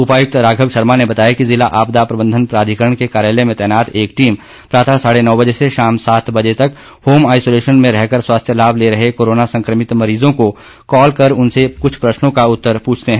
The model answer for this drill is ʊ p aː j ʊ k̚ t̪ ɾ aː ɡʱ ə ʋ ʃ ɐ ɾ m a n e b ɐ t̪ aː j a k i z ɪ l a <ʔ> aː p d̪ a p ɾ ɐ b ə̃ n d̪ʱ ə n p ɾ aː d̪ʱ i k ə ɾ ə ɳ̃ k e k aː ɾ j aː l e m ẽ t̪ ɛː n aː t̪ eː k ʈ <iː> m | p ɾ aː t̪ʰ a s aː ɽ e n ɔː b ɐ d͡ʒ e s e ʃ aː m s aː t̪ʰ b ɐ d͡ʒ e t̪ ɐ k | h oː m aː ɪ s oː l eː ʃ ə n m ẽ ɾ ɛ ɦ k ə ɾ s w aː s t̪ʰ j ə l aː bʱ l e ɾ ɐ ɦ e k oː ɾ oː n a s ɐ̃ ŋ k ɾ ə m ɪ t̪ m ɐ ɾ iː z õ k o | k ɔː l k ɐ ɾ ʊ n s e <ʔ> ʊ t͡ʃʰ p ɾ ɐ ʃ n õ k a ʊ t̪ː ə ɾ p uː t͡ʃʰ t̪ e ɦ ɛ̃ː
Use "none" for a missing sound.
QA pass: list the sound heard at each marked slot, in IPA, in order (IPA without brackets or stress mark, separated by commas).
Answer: ʔ, iː, k